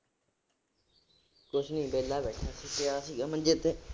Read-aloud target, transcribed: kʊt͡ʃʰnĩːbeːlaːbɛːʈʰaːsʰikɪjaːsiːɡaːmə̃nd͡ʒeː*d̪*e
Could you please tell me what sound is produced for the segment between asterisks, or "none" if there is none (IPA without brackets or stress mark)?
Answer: t̪